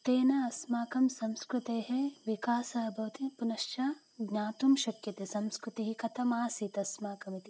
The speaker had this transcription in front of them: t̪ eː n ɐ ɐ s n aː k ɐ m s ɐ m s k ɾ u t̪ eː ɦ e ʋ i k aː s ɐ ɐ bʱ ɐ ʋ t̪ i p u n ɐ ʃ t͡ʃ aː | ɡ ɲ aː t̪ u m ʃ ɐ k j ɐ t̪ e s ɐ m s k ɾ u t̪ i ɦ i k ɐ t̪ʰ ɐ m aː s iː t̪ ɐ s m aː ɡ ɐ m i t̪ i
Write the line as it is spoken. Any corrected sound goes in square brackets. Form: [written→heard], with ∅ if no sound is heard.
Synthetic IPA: t̪ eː n ɐ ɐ s [n→m] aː k ɐ m s ɐ m s k ɾ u t̪ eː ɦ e ʋ i k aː s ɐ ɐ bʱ ɐ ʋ t̪ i p u n ɐ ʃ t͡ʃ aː | ɡ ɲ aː t̪ u m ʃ ɐ k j ɐ t̪ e s ɐ m s k ɾ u t̪ i ɦ i k ɐ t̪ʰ ɐ m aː s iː t̪ ɐ s m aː [ɡ→k] ɐ m i t̪ i